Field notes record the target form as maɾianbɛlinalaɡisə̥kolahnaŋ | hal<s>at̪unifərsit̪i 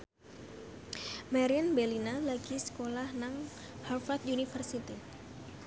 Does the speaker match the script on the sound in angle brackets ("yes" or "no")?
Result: no